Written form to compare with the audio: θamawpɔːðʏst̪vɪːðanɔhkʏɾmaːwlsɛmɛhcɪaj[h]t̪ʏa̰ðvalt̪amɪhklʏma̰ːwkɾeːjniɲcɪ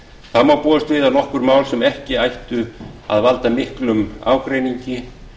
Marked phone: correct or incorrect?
correct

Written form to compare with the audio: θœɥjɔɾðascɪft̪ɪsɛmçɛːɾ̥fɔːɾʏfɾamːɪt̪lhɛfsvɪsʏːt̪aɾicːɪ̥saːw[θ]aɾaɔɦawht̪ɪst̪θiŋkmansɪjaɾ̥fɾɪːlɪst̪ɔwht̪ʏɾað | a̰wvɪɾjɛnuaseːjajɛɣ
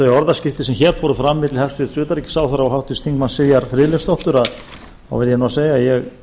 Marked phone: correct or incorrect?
correct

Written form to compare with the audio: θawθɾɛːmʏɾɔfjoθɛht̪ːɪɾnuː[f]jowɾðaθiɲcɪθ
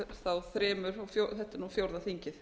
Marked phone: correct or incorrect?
correct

